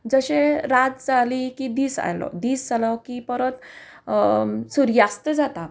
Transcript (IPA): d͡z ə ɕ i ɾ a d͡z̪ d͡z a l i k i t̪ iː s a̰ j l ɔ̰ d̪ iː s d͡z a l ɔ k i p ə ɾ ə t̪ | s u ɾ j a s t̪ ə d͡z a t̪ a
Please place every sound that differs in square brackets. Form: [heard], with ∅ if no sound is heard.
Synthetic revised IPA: d͡z ə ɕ [e] ɾ a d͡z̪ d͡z a l i k i [d̪] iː s a̰ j l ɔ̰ d̪ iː s d͡z a l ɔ k i p ə ɾ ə t̪ | s u ɾ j a s t̪ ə d͡z a t̪ a